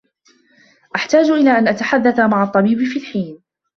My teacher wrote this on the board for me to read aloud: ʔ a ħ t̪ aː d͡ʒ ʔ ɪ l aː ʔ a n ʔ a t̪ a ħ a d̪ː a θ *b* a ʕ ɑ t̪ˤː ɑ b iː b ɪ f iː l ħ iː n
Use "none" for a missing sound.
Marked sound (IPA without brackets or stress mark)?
m